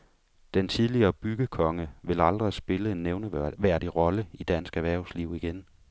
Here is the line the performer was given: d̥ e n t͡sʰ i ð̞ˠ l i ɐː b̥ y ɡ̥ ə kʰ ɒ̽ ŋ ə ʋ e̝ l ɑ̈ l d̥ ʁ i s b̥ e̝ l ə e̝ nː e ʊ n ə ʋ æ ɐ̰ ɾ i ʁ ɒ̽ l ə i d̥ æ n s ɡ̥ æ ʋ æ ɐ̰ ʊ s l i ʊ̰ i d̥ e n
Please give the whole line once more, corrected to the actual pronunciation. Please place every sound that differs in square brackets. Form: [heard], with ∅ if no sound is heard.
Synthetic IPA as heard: d̥ e n t͡sʰ i ð̞ˠ l i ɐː b̥ y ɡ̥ ə kʰ ɒ̽ ŋ ə ʋ e̝ l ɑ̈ l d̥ ʁ i s b̥ e̝ l ə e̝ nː e ʊ n ə ʋ æ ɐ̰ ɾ i ʁ ɒ̽ l ə i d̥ æ n s ɡ̥ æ ʋ æ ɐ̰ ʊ s l i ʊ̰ i [ɡ̥] e n